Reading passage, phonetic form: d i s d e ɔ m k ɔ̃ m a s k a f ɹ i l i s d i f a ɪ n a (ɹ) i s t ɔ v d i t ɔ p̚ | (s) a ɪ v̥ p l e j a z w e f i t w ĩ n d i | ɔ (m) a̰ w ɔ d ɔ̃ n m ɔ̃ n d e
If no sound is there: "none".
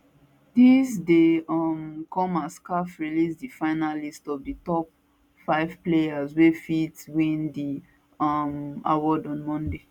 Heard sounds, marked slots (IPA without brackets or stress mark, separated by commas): l, f, m